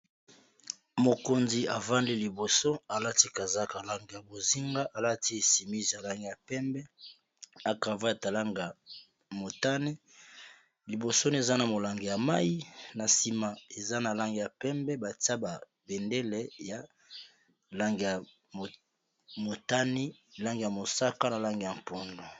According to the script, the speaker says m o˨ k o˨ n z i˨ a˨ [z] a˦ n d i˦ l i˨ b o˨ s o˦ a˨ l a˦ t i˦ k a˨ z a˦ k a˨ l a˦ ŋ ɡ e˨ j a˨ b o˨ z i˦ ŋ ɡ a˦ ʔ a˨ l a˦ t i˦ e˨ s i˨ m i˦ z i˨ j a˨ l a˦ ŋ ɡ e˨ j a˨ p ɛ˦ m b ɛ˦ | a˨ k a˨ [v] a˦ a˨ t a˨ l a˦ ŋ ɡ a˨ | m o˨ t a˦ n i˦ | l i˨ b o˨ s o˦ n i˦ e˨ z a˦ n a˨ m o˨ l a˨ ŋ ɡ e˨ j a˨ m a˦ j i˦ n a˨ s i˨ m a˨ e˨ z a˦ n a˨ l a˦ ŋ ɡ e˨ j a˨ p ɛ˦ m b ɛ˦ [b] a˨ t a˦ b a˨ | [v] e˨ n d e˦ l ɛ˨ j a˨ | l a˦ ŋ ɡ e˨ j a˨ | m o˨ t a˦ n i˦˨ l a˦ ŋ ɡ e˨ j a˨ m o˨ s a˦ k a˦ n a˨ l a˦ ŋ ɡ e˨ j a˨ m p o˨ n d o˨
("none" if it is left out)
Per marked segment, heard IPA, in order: v, v, b, b

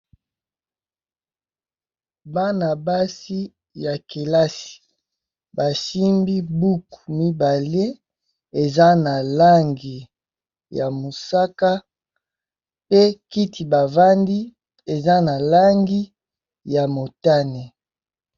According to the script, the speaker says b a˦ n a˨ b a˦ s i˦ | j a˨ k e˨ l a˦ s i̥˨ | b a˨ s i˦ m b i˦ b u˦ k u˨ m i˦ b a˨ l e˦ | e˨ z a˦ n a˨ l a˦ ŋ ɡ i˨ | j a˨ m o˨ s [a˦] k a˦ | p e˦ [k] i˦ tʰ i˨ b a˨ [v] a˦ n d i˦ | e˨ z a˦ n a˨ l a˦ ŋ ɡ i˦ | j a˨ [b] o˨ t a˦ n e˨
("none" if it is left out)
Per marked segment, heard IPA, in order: a˦, k, v, m

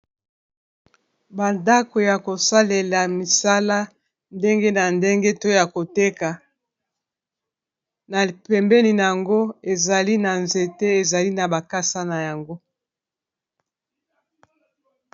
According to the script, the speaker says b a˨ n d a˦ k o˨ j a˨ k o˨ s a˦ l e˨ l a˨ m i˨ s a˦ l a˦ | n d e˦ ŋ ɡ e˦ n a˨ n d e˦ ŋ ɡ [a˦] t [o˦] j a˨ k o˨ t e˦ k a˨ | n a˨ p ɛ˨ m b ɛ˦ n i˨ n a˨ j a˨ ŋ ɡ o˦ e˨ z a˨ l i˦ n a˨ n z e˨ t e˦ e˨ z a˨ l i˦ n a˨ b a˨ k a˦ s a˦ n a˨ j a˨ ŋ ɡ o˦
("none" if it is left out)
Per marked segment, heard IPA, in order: e˦, o˦

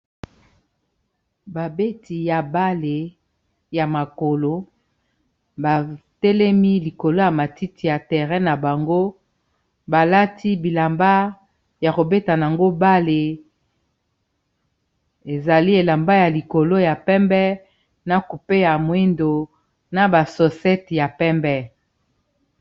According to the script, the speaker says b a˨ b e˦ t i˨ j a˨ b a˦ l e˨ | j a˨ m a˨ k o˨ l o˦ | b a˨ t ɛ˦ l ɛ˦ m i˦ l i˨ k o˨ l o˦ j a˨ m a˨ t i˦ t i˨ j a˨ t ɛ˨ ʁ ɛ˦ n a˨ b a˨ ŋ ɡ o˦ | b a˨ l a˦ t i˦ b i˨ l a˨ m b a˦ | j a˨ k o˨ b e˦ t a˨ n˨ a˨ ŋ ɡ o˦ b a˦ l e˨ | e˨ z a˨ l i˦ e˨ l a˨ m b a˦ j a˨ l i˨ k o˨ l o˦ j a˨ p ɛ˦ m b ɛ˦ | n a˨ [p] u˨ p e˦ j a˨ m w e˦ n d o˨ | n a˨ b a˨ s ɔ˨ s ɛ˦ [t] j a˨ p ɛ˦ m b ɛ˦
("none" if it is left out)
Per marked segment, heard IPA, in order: k, t

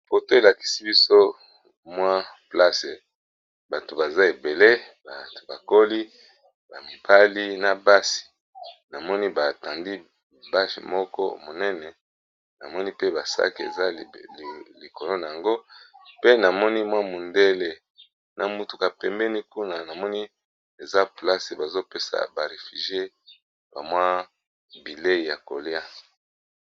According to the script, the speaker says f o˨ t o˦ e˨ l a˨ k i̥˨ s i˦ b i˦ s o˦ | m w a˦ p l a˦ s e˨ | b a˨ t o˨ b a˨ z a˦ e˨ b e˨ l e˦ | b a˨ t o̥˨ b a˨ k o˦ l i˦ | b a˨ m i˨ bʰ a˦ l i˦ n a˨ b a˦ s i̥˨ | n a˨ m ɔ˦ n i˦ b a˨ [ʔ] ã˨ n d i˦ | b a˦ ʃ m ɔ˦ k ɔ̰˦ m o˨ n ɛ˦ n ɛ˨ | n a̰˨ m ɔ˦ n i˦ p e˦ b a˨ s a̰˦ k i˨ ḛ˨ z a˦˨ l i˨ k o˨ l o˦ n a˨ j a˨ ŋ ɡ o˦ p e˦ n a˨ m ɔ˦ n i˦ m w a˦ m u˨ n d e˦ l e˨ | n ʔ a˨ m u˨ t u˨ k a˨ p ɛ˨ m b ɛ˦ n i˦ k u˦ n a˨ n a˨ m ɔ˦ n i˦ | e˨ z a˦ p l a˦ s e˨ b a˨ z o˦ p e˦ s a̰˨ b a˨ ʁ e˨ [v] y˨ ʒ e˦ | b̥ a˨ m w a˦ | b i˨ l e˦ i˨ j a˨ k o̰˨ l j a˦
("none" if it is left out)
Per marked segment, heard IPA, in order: t, f

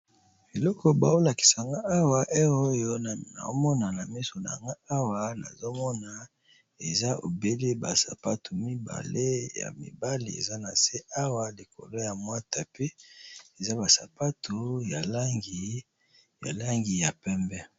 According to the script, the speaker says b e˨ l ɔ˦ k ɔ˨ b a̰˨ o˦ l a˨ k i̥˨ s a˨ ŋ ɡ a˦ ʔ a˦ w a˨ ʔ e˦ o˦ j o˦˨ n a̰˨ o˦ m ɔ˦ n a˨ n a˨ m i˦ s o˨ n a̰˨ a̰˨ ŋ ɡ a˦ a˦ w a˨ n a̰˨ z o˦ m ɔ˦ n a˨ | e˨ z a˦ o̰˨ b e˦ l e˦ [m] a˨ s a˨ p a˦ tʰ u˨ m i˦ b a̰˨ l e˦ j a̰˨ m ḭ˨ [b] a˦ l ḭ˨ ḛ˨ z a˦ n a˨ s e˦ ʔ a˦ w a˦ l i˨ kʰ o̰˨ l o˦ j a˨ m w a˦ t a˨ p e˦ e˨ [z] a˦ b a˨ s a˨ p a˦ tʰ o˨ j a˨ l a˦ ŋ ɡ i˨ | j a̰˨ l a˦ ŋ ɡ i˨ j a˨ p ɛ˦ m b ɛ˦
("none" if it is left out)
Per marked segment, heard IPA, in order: b, b, z

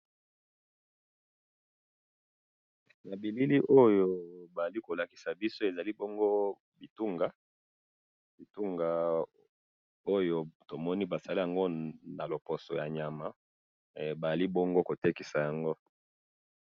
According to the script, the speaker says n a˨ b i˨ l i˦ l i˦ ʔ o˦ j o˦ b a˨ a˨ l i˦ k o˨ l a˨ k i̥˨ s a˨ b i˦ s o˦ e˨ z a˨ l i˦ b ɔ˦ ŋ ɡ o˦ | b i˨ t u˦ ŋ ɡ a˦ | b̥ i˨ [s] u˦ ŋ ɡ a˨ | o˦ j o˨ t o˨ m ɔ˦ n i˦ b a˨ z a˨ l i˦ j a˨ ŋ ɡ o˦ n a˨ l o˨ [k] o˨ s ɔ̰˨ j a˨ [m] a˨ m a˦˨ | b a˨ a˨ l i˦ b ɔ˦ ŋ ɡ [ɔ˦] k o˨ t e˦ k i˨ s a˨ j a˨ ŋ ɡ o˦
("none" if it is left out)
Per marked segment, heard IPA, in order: t, p, ɲ, o˦

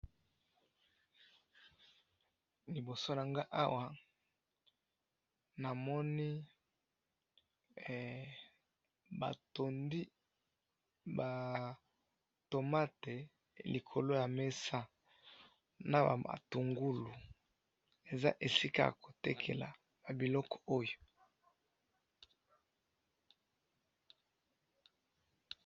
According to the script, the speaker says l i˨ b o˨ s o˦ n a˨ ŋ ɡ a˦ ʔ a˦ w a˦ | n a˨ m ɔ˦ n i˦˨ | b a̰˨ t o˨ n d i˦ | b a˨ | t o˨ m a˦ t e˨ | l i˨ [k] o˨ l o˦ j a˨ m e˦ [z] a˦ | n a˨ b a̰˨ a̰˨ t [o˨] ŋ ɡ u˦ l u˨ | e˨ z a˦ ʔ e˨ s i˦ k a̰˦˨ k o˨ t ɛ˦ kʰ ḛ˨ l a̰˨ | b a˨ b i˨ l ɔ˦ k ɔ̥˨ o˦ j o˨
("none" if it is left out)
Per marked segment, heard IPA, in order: kʰ, s, u˨

